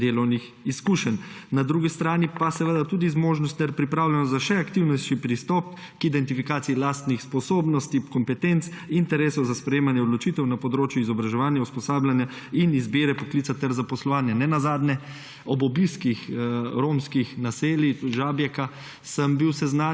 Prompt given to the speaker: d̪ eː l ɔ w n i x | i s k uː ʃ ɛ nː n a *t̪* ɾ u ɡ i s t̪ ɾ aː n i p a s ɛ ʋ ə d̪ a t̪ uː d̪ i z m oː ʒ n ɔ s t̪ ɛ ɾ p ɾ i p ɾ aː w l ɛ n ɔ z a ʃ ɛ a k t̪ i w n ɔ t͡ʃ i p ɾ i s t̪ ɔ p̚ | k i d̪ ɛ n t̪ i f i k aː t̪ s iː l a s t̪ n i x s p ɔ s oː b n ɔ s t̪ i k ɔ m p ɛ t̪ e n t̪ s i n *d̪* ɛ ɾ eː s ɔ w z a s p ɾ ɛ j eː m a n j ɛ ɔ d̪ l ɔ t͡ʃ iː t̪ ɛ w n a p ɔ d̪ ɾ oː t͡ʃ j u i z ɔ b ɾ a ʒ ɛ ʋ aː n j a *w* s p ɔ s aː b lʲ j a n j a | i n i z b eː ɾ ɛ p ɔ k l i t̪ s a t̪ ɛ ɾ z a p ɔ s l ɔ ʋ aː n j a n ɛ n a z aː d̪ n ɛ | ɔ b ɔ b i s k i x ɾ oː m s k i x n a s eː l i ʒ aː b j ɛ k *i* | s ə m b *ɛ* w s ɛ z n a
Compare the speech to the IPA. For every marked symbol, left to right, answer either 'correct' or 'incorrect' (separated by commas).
incorrect, incorrect, incorrect, incorrect, incorrect